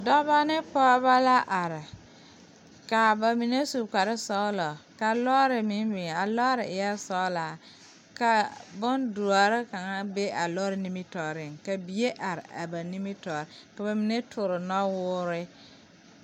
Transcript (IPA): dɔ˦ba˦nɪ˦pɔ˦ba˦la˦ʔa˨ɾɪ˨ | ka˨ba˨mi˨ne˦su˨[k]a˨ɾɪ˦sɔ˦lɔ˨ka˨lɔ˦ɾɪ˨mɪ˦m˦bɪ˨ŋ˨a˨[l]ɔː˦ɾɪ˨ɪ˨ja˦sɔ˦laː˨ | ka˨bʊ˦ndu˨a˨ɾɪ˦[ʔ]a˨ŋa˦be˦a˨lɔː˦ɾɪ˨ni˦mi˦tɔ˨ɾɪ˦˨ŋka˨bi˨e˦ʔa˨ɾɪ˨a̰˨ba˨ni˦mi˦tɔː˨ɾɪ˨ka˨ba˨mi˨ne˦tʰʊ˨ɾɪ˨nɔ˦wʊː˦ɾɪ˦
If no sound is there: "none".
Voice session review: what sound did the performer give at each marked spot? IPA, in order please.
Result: k, l, k

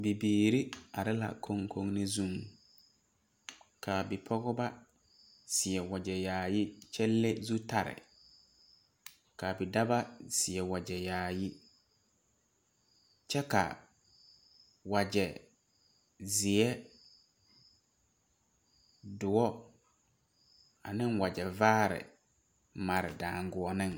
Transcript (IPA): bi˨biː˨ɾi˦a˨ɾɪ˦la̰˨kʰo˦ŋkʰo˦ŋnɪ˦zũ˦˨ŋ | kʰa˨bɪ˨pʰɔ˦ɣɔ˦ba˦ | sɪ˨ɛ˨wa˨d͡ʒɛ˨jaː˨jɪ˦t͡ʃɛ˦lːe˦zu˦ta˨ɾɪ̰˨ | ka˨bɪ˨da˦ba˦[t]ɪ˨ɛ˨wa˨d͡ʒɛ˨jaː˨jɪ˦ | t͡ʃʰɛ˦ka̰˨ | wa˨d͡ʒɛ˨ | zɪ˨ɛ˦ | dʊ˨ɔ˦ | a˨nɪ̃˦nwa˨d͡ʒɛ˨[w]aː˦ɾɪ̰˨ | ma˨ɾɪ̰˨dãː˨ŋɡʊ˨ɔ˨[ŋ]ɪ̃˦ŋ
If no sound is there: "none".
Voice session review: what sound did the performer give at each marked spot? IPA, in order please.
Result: s, v, n

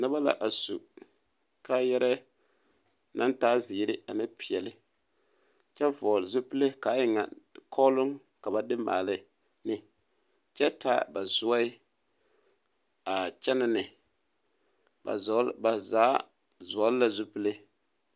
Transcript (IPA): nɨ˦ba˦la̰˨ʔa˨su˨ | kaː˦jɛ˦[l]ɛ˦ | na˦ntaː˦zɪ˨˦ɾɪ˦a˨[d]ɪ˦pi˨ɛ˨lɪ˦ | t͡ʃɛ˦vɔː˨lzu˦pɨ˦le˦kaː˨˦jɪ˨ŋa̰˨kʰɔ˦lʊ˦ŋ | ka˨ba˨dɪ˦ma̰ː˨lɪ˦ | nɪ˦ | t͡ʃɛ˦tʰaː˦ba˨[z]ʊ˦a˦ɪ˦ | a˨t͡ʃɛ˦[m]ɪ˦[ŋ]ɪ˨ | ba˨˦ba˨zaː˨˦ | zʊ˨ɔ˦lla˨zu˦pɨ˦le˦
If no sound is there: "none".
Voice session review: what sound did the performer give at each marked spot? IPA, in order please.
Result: ɾ, n, z, n, n

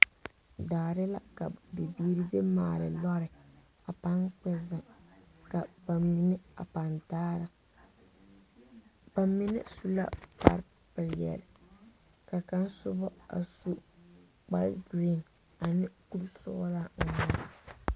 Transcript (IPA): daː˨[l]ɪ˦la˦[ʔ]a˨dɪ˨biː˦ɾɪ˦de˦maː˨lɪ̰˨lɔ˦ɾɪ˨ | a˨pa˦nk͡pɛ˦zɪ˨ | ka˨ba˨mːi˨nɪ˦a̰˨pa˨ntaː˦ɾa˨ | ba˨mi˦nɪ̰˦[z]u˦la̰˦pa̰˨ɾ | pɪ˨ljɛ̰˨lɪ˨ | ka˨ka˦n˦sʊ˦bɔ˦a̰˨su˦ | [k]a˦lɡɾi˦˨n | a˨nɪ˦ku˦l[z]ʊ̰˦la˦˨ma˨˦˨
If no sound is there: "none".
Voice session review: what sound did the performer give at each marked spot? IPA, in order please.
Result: ɾ, k, s, k͡p, s

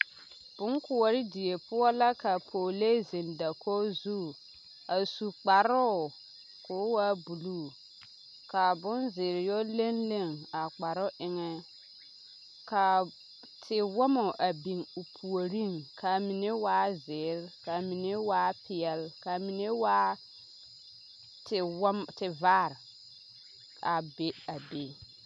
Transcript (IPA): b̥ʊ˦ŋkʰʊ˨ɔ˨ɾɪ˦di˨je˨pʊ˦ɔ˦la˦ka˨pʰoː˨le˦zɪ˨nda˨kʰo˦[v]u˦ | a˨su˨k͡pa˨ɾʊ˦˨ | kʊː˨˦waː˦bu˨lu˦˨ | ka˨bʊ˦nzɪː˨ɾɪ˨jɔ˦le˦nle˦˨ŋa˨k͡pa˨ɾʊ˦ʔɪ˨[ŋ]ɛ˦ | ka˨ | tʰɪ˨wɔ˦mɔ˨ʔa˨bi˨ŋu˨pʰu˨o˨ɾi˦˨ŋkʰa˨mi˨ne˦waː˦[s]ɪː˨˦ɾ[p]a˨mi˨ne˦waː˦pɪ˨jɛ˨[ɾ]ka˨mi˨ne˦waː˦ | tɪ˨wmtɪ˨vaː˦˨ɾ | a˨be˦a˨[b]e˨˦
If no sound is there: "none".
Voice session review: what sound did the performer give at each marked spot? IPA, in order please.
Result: z, ŋ, z, k, l, b

